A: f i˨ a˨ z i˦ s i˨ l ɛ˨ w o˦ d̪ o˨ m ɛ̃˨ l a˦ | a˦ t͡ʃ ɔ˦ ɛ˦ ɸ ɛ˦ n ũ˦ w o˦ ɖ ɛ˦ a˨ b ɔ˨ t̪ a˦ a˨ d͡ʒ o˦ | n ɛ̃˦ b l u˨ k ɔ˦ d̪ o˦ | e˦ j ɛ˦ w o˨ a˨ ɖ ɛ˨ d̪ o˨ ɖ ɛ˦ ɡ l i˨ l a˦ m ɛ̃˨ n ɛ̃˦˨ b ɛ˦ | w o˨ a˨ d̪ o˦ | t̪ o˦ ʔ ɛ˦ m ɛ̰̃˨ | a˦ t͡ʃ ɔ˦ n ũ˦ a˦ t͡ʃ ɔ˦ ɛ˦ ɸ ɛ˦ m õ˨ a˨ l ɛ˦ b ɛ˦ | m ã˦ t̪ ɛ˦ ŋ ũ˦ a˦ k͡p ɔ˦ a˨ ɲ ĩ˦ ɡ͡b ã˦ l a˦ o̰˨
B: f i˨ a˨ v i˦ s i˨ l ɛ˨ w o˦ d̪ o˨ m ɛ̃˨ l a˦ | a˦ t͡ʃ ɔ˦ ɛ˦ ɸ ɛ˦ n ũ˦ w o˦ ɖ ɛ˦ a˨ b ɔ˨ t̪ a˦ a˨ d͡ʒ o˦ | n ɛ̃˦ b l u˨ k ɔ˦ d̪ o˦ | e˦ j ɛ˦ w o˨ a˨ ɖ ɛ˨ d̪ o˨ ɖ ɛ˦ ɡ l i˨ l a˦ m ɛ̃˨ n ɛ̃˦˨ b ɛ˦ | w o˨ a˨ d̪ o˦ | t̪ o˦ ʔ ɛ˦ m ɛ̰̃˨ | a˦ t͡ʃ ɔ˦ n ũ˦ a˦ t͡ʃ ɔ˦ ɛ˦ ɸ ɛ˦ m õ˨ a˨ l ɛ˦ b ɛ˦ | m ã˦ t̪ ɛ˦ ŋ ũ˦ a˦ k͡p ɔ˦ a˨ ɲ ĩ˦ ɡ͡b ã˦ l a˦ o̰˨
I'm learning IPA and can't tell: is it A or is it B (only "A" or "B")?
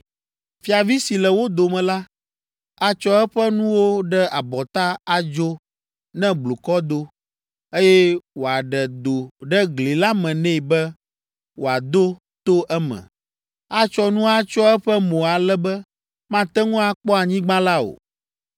B